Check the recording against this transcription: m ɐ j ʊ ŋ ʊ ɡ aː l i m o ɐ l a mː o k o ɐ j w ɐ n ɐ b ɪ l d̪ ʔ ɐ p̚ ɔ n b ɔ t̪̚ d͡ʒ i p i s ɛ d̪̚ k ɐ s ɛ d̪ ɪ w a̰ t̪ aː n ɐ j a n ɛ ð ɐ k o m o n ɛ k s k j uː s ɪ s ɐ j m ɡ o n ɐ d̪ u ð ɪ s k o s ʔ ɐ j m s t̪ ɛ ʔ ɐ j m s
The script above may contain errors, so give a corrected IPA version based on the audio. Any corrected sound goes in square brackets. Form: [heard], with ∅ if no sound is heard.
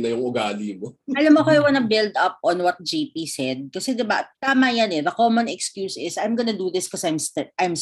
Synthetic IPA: [n] ɐ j ʊ ŋ ʊ ɡ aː l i m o ɐ l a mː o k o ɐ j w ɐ n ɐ b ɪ l d̪ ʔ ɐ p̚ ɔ n [w] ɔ t̪̚ d͡ʒ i p i s ɛ d̪̚ k ɐ s ɛ d̪ ɪ [b] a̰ t̪ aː [m] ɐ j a n ɛ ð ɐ k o m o n ɛ k s k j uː s ɪ s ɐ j m ɡ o n ɐ d̪ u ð ɪ s k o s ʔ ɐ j m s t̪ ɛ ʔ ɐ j m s